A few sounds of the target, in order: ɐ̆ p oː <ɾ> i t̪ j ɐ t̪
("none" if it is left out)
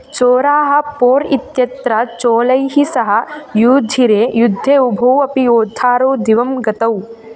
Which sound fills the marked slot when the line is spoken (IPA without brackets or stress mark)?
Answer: ɾ